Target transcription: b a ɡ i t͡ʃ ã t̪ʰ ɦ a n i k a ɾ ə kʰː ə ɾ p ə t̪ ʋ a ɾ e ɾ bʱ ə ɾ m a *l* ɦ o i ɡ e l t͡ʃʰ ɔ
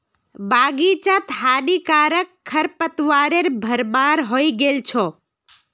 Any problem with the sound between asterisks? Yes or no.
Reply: yes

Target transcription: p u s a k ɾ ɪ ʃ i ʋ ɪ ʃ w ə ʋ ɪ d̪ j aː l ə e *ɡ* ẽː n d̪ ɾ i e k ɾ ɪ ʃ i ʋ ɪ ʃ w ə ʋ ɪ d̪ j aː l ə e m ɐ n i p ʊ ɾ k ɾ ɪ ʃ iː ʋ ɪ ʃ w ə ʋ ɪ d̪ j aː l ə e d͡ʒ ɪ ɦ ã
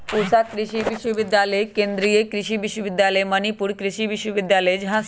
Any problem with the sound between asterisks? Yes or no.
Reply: yes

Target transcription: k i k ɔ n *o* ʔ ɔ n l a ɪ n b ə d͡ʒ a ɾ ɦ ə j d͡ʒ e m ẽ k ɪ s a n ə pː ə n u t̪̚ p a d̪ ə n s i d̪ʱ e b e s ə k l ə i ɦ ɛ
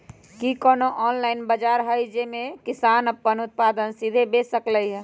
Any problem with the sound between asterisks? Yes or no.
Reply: no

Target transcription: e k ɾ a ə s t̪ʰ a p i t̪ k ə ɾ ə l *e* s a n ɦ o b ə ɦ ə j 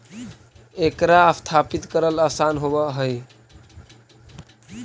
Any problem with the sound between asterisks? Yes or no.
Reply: yes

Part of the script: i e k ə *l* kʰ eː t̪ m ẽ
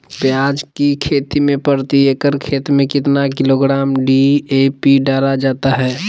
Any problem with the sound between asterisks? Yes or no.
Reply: yes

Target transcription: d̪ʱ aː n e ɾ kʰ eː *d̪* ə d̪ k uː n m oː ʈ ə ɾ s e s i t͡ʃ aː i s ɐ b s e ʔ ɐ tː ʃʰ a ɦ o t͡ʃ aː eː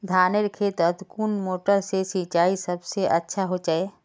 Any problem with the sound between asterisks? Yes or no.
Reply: yes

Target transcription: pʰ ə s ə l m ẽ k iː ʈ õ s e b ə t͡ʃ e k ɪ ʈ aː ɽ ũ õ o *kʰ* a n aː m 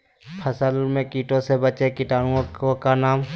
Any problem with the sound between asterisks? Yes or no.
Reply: yes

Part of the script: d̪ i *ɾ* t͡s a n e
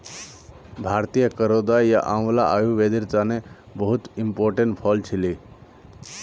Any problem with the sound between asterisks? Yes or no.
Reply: no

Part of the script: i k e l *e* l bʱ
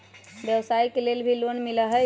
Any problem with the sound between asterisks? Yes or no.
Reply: no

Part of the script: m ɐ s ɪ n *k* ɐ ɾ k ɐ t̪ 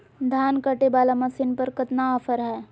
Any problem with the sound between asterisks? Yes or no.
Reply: yes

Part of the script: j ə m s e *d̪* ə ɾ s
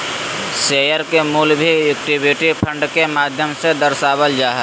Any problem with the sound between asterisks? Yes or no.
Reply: no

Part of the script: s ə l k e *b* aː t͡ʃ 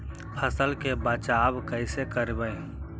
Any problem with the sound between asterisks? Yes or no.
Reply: no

